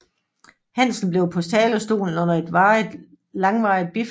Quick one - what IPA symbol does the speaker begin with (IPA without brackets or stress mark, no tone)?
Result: h